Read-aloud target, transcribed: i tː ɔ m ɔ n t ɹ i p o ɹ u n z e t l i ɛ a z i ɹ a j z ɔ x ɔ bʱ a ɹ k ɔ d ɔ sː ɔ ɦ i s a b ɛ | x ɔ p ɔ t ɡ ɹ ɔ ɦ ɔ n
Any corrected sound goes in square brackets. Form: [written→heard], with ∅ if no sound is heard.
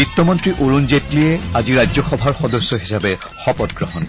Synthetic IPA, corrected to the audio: i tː ɔ m ɔ n t ɹ i [p→ʔ] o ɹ u n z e t l i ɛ a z i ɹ a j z ɔ x ɔ bʱ a ɹ [k→x] ɔ d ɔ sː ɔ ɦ i s a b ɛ | x ɔ p ɔ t ɡ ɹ ɔ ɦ ɔ n